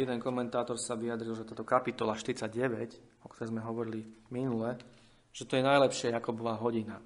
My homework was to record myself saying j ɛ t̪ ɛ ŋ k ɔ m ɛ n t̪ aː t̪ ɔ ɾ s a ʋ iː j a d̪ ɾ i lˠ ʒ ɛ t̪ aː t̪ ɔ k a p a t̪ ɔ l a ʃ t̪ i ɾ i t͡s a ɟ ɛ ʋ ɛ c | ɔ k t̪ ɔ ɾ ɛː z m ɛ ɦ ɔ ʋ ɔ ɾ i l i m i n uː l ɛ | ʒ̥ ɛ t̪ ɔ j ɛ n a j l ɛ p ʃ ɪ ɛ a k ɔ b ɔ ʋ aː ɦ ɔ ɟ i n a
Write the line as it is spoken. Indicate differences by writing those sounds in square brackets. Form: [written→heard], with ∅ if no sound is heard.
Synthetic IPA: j ɛ [t̪→d̪] ɛ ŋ k ɔ m ɛ n t̪ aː t̪ ɔ ɾ s a ʋ [iː→i] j a d̪ ɾ i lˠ ʒ ɛ t̪ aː t̪ ɔ k a p [a→i] t̪ ɔ l a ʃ t̪ i ɾ i t͡s a ɟ ɛ ʋ ɛ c | ɔ k t̪ ɔ ɾ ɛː z m ɛ ɦ ɔ ʋ ɔ ɾ i l i m i n [uː→u] l ɛ | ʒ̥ ɛ t̪ ɔ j ɛ n a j l ɛ p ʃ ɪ ɛ a k ɔ b ɔ ʋ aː ɦ ɔ ɟ i n a